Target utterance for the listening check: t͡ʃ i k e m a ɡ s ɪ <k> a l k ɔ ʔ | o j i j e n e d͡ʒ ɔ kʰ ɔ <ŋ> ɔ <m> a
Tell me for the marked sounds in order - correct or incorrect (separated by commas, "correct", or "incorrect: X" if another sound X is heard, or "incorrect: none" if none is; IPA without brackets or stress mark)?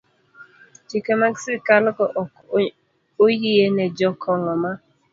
correct, correct, correct